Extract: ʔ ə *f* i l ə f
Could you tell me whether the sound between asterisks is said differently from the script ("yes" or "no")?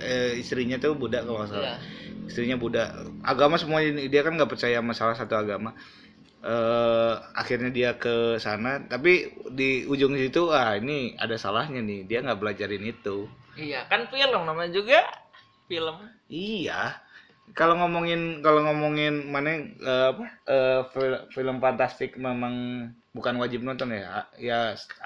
no